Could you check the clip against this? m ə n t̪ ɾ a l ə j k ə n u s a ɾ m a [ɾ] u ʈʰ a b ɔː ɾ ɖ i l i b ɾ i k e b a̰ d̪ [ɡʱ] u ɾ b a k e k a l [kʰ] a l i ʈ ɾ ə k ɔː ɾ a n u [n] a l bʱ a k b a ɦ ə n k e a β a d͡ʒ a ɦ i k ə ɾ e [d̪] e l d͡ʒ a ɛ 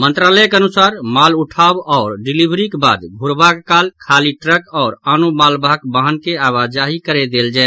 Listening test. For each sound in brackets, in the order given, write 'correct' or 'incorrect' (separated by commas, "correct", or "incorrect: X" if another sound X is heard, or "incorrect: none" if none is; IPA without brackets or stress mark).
incorrect: l, correct, correct, incorrect: m, correct